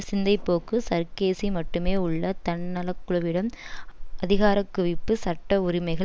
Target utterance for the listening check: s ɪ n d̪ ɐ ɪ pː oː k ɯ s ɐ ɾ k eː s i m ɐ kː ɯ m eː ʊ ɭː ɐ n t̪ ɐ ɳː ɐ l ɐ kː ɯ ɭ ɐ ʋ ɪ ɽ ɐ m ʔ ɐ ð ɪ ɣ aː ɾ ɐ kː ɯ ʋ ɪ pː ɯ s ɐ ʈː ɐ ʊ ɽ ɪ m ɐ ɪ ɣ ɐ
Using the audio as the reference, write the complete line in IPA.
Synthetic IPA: s ɪ n d̪ ɐ ɪ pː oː k ɯ s ɐ ɾ k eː s i m ɐ ʈː ɯ m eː ʊ ɭː ɐ t̪ ɐ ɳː ɐ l ɐ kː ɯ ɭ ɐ ʋ ɪ ɽ ɐ m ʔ ɐ ð ɪ ɣ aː ɾ ɐ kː ɯ ʋ ɪ pː ɯ s ɐ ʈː ɐ ʊ ɾ ɪ m ɐ ɪ ɣ ɐ